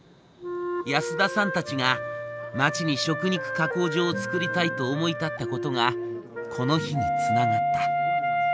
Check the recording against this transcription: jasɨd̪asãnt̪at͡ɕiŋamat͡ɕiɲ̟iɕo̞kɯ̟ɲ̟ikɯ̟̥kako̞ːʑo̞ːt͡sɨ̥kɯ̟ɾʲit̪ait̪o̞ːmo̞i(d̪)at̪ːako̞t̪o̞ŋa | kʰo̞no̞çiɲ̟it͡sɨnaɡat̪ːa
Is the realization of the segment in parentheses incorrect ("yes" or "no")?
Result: yes